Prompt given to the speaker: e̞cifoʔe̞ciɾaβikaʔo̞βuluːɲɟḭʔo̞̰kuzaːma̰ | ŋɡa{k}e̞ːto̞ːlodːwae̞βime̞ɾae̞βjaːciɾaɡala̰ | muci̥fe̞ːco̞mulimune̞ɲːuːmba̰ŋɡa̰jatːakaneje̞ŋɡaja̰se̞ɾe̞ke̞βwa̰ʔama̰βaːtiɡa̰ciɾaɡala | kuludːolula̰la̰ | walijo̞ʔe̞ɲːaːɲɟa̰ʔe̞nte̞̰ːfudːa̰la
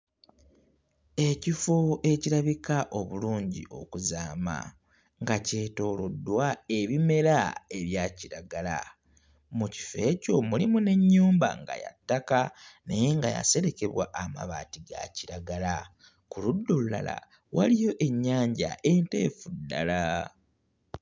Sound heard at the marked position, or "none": c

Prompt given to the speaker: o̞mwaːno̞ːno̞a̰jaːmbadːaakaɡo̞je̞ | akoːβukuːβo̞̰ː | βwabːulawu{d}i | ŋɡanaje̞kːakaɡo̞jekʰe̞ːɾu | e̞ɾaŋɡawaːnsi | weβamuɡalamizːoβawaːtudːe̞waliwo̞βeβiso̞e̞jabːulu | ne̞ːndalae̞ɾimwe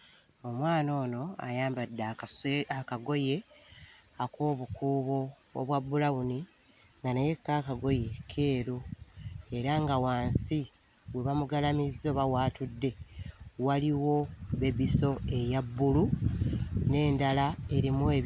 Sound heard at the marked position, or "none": n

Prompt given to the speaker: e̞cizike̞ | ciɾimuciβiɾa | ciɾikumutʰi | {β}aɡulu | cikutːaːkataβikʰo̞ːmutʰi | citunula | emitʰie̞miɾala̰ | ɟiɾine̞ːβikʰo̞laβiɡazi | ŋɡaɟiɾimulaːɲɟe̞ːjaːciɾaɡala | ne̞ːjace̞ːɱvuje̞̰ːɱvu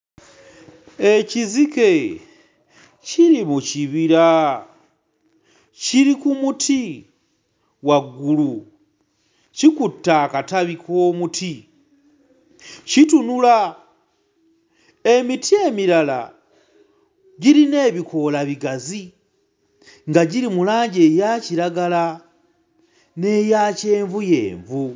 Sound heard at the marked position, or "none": w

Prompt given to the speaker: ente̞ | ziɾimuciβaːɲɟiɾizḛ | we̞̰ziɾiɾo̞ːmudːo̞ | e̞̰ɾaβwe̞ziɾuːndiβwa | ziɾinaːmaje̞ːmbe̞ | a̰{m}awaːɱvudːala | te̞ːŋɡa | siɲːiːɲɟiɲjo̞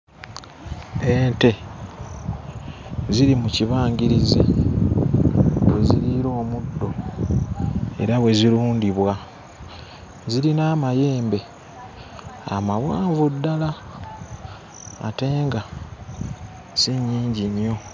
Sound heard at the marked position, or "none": m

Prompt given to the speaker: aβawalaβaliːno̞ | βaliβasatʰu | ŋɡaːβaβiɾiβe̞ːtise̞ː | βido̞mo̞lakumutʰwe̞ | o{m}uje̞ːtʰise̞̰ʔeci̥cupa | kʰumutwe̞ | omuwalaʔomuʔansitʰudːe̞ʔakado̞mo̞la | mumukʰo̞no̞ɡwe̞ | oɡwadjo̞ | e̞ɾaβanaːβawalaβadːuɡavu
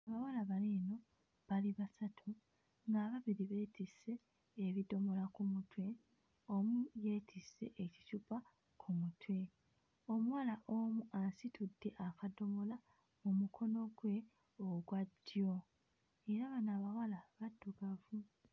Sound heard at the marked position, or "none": m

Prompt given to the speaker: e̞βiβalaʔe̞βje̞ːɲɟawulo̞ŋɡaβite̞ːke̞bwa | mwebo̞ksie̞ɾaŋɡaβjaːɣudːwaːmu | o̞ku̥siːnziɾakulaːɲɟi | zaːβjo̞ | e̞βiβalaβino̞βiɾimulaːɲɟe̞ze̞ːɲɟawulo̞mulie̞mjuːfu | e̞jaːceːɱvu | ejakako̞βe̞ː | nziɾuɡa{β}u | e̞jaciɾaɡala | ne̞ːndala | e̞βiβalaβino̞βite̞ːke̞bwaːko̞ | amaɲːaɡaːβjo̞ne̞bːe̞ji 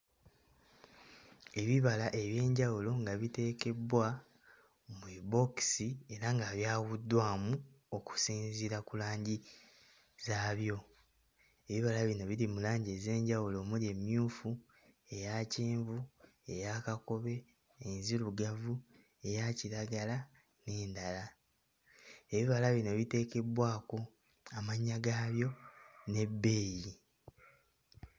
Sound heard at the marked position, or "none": v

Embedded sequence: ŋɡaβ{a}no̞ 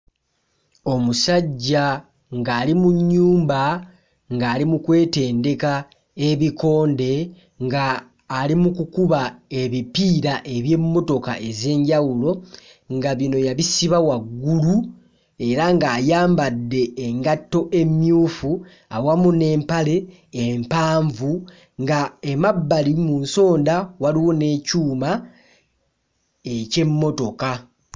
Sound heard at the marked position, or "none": i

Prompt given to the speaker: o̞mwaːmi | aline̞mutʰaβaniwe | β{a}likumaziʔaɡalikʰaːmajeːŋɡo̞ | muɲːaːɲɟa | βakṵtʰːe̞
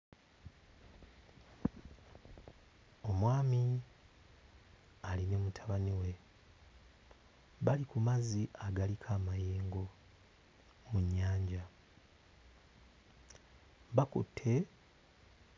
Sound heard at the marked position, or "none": a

